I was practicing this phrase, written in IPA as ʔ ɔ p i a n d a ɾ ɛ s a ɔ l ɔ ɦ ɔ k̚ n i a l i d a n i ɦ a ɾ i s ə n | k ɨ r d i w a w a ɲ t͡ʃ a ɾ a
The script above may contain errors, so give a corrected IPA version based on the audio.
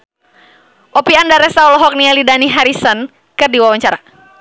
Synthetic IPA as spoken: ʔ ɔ p i a n d a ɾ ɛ s a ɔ l ɔ ɦ ɔ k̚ n i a l i d a n i ɦ a ɾ i s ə n | k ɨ r d i w a w a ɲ t͡ʃ a ɾ a